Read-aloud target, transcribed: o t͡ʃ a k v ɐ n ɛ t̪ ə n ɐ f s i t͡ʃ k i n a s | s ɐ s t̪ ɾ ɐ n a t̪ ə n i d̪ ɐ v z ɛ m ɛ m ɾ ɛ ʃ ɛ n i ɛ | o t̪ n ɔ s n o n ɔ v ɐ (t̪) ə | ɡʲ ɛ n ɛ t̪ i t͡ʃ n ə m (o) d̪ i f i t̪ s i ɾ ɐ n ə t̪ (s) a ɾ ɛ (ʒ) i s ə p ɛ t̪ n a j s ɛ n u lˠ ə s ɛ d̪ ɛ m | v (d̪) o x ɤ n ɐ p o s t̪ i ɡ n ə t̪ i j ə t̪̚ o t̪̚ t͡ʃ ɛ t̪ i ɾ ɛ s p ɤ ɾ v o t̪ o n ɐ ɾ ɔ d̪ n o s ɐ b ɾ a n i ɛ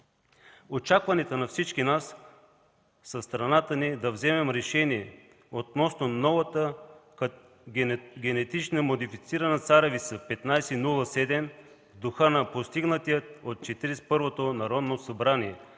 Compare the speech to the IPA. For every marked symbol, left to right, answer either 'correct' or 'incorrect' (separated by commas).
correct, correct, correct, incorrect, correct